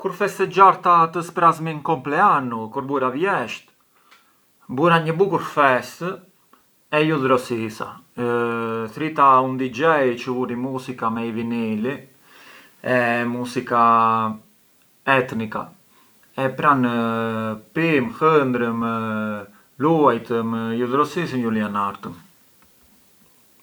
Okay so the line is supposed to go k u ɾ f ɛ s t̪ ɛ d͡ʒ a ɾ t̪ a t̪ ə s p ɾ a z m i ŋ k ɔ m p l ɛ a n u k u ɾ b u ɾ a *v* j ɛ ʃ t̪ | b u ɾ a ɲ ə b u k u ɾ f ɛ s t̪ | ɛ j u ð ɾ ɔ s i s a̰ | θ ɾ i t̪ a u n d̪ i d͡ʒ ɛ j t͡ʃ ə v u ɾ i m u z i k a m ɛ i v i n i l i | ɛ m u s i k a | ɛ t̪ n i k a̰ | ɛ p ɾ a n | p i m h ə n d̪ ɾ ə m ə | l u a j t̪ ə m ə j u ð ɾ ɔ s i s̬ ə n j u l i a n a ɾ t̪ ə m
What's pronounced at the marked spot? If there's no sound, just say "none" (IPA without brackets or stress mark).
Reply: v